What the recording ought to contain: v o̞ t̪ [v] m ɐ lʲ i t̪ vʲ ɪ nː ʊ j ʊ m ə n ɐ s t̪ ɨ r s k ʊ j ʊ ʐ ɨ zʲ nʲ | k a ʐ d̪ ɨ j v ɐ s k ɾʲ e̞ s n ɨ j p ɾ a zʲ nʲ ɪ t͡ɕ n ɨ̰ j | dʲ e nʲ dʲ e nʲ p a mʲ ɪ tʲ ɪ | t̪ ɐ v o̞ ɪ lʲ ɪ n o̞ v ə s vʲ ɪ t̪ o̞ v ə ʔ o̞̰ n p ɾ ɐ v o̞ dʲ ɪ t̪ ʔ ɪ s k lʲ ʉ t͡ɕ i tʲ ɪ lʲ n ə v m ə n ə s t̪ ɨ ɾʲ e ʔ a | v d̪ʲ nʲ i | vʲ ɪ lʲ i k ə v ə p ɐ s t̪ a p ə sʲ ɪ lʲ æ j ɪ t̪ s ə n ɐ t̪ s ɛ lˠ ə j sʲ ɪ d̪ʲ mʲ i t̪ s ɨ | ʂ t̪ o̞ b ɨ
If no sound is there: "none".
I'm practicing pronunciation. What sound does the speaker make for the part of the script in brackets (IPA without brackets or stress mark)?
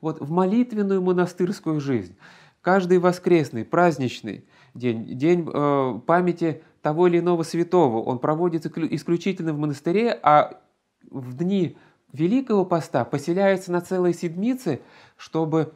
v